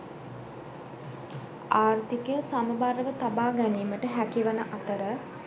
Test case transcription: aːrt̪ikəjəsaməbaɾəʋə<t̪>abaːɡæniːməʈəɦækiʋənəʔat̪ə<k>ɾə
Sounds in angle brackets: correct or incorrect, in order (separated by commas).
correct, incorrect